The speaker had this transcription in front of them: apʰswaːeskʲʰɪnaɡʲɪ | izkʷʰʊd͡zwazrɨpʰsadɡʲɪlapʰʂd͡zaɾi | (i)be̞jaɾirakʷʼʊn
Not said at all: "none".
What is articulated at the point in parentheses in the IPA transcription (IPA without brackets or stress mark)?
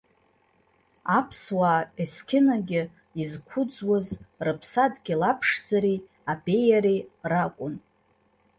a